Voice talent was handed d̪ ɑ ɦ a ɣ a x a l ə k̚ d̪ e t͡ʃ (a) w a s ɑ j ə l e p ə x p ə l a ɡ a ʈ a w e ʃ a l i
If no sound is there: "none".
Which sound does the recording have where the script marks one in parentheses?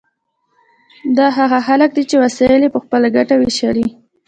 e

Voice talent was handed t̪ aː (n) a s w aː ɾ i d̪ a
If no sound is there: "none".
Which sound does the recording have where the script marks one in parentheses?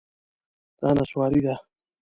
n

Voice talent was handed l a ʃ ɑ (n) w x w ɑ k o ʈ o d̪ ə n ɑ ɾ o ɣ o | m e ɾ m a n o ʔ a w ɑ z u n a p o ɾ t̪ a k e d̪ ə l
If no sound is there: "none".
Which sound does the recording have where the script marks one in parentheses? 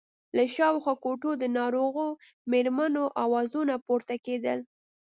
none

